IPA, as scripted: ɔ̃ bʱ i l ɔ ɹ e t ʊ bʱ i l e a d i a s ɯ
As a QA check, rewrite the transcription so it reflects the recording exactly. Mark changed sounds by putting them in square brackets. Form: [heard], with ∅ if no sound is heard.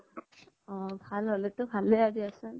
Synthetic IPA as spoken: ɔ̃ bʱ [a] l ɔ [l] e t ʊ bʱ [a] l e a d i a s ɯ